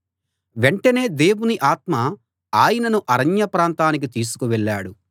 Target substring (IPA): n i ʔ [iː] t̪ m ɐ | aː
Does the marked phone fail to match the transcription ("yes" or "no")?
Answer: yes